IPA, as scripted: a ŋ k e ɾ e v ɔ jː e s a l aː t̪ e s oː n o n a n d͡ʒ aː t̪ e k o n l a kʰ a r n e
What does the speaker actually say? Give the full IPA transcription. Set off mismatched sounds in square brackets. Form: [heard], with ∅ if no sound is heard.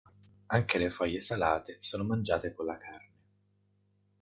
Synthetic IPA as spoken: a ŋ k e [l] e [f] ɔ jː e s a l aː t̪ e s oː n o [m] a n d͡ʒ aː t̪ e k o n l a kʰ a r n e